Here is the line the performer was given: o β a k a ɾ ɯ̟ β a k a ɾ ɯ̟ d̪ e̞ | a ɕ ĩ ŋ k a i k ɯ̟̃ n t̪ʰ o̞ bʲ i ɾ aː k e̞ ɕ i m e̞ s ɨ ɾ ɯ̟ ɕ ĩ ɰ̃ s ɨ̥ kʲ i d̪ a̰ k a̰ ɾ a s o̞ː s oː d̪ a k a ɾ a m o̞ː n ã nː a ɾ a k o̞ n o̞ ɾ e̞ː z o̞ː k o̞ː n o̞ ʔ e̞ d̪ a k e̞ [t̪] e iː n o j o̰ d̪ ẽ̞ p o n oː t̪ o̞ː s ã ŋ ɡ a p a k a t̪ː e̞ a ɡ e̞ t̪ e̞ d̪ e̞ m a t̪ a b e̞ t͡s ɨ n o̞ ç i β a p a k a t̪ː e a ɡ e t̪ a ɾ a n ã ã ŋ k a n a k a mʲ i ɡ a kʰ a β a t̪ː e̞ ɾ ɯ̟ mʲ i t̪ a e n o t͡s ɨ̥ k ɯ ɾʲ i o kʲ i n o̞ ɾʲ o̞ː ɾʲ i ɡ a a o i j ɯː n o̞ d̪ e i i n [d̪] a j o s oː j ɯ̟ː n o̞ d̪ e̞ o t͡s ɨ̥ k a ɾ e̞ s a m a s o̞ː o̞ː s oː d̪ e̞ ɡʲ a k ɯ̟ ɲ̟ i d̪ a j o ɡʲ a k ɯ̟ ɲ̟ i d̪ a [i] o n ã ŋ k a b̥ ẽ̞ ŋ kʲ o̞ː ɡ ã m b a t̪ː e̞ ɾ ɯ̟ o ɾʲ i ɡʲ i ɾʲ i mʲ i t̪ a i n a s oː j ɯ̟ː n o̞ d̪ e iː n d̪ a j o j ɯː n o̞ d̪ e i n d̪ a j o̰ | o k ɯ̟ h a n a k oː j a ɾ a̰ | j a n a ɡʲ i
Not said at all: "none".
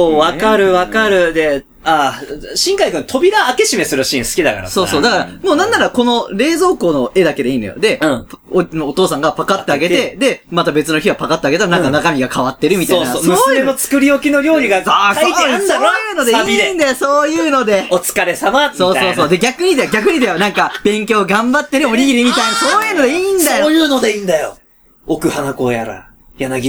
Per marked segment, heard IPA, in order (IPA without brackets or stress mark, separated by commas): d̪, d̪, j